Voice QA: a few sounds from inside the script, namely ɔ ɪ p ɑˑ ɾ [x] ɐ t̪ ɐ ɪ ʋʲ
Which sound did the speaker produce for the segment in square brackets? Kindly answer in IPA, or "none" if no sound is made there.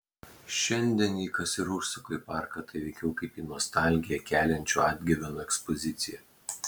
k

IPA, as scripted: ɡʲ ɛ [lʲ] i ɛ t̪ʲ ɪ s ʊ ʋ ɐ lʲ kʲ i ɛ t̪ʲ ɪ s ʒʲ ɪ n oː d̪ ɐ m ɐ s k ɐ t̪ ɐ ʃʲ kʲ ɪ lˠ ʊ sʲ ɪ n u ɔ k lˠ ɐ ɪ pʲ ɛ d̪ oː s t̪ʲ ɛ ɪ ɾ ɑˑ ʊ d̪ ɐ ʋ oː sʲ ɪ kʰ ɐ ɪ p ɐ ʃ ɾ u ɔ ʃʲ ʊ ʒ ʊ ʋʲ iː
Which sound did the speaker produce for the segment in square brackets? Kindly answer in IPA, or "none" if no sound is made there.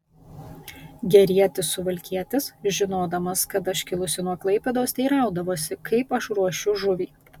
ɾʲ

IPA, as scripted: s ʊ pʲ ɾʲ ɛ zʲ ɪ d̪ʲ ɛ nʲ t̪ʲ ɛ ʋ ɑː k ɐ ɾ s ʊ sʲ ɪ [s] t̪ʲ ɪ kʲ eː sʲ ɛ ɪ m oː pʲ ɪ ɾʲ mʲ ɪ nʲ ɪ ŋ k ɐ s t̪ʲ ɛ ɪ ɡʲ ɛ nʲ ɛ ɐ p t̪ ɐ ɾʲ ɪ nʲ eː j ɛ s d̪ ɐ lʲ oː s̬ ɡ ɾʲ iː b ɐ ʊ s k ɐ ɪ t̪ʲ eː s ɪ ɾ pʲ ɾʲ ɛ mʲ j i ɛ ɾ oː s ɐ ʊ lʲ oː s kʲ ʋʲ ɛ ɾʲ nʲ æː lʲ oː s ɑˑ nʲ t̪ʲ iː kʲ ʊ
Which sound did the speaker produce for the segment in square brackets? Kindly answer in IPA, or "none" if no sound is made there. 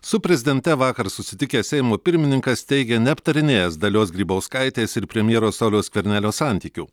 none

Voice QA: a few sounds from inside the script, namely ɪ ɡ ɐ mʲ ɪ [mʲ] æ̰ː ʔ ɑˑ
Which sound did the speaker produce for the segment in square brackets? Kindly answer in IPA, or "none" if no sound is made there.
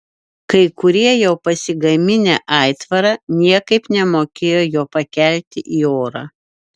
nʲ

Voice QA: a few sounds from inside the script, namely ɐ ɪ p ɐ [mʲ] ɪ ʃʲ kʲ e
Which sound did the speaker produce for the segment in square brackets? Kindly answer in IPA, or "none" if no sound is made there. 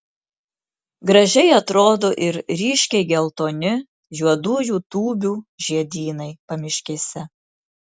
mʲ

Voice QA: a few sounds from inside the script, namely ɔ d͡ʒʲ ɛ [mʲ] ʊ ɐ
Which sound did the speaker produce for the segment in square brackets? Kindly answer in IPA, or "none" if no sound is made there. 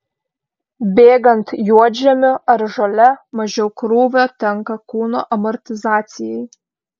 mʲ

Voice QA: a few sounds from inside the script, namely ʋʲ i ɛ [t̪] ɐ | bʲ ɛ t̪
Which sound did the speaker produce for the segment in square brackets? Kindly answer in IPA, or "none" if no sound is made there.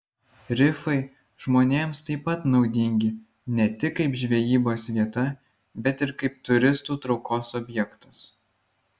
t̪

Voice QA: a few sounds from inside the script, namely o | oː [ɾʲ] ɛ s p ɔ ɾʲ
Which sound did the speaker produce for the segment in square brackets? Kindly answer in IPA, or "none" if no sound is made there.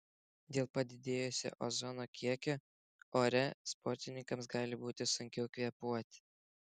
ɾʲ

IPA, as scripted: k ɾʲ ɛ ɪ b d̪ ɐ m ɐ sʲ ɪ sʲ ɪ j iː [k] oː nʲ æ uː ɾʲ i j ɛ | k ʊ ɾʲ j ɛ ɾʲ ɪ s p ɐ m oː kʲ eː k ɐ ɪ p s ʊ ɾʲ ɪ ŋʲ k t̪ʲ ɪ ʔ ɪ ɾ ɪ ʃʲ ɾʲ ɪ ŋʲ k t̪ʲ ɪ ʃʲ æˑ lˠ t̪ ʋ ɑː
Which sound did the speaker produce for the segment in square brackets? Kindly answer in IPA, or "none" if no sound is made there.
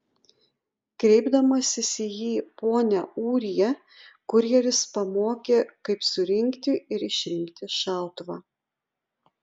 p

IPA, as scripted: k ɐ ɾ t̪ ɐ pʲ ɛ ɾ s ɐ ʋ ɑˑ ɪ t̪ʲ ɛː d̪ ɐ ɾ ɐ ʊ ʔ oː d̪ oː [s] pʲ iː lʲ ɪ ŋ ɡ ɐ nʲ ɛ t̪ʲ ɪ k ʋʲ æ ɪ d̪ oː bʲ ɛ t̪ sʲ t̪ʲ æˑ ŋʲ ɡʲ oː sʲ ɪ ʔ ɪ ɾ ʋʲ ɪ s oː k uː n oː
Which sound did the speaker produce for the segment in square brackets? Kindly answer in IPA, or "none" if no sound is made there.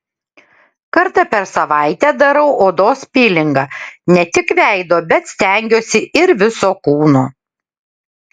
s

